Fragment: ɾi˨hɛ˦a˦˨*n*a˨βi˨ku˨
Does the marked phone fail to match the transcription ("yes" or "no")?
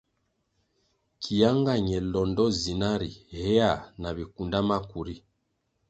no